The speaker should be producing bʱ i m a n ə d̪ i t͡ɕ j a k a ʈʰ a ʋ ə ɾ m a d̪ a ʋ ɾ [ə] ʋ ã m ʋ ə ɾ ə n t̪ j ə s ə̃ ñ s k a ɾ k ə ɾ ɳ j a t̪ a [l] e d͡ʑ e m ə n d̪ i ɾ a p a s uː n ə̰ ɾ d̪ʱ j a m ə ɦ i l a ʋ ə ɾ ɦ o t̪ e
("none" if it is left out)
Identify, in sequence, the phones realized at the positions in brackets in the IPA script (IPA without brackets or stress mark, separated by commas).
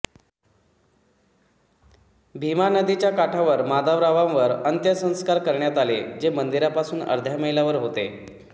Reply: a, l